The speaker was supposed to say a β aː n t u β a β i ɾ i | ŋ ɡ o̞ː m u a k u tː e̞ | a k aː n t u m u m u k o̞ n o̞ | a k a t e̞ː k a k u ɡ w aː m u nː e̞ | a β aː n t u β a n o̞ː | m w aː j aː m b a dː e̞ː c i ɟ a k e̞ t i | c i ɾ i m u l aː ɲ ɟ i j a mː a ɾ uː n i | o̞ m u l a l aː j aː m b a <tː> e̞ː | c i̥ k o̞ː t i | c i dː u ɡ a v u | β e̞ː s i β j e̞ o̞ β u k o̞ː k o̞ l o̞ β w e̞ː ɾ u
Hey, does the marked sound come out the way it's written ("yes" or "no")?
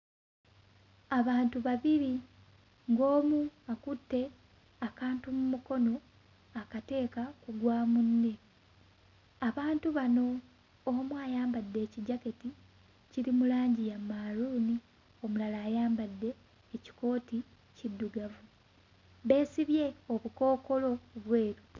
no